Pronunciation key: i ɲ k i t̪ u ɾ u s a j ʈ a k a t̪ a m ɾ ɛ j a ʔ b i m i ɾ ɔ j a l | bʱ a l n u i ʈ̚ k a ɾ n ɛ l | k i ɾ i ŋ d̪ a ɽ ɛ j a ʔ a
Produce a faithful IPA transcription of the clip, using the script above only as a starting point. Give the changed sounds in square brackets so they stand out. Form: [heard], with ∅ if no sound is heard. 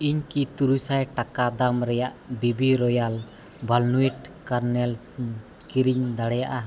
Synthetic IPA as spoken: i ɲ k i t̪ u ɾ u s a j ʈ a k a [d̪] a m ɾ ɛ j a ʔ b i [b] i ɾ ɔ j a l | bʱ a l n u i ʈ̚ k a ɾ n ɛ l | k i ɾ i [ɲ] d̪ a ɽ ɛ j a ʔ a